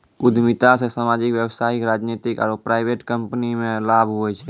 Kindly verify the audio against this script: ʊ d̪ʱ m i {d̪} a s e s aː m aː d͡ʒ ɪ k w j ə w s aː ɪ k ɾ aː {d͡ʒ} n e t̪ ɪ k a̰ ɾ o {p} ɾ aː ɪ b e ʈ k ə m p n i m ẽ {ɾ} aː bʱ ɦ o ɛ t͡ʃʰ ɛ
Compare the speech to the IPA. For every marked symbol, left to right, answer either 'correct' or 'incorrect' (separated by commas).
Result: incorrect, correct, correct, incorrect